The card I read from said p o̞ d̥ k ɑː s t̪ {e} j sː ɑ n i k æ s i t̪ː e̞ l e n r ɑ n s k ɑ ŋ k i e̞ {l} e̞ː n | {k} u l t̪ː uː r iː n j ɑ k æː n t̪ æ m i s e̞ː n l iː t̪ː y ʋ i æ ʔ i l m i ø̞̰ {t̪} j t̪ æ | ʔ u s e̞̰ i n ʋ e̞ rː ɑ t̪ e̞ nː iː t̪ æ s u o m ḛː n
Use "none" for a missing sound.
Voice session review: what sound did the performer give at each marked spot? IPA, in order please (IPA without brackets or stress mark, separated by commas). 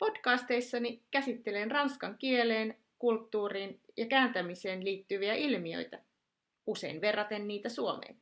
e, l, k, none